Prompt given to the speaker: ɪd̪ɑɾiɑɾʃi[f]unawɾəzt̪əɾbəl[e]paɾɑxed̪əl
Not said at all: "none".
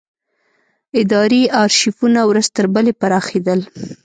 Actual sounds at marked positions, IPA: f, e

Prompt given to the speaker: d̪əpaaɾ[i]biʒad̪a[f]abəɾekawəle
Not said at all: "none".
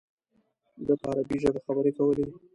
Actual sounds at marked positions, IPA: a, x

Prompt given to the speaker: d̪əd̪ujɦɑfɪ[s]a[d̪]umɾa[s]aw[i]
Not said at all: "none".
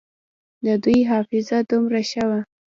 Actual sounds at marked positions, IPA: z, d̪, ʃ, a

